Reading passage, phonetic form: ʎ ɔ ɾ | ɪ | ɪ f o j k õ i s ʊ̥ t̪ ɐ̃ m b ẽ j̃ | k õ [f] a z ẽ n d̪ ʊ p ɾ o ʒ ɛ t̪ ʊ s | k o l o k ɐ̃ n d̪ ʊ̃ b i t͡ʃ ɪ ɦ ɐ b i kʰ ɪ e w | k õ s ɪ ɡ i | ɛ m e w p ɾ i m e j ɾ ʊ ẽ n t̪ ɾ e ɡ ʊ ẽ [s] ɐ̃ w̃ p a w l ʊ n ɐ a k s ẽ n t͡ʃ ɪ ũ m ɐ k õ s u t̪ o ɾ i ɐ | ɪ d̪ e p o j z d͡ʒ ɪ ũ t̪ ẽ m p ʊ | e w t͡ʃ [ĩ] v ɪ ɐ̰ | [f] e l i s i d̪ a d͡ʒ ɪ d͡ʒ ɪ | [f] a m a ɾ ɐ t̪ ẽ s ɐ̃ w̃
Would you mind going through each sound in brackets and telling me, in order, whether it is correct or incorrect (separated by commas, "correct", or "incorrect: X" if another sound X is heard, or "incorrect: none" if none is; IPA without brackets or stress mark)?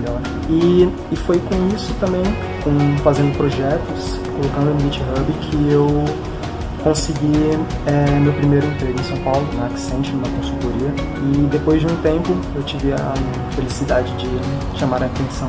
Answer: correct, correct, incorrect: i, correct, incorrect: ʃ